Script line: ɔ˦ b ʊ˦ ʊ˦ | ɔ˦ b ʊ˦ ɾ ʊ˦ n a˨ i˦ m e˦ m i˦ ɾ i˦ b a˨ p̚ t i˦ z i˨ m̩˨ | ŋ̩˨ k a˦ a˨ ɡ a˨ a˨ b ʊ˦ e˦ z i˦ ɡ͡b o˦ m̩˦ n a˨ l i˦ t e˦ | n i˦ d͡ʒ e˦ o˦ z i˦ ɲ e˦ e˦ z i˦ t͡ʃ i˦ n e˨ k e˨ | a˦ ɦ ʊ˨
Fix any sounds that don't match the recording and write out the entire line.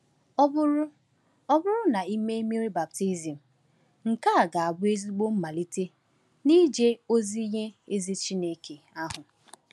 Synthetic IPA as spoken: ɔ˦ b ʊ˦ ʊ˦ | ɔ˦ b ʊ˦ ɾ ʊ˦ n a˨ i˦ m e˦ m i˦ ɾ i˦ b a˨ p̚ t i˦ z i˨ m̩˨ | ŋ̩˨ k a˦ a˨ ɡ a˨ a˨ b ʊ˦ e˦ z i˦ ɡ͡b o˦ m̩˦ m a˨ l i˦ t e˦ | n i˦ d͡ʒ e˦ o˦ z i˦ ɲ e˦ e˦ z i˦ t͡ʃ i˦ n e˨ k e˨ | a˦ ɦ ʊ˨